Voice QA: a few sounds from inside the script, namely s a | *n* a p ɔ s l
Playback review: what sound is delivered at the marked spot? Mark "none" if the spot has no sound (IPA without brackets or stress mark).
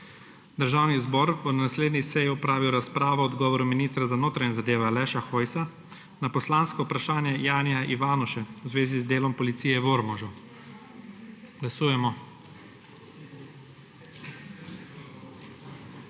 n